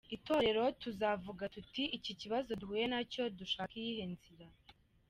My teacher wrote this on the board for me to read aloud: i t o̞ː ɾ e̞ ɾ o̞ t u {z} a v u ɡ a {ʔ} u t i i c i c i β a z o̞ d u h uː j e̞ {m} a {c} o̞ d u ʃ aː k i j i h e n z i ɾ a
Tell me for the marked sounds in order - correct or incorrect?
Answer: correct, incorrect, incorrect, correct

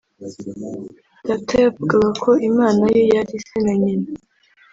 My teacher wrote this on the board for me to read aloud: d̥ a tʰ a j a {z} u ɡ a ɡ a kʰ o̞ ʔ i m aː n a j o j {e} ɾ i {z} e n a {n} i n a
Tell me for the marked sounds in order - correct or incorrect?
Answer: incorrect, incorrect, incorrect, incorrect

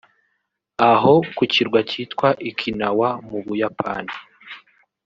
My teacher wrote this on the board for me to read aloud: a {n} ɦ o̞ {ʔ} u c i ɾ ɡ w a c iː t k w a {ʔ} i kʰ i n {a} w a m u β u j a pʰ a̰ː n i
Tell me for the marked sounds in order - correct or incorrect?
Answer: incorrect, incorrect, correct, correct

